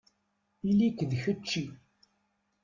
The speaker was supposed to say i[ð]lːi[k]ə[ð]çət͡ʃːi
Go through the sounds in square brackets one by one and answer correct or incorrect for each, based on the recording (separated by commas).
incorrect, correct, correct